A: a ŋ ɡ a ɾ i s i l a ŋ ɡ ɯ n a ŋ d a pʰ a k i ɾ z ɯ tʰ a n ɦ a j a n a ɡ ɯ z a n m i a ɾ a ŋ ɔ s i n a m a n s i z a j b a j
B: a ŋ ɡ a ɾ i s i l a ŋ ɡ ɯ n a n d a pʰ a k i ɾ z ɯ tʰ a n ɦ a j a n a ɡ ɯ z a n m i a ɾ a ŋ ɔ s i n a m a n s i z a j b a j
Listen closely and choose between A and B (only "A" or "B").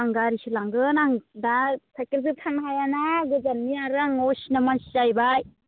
A